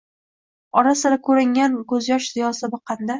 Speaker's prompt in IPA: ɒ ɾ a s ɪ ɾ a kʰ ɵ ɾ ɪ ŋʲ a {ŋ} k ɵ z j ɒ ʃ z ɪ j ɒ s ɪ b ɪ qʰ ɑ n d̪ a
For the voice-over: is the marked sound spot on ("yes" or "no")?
no